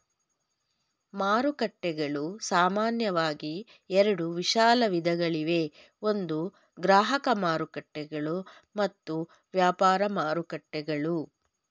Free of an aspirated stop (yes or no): yes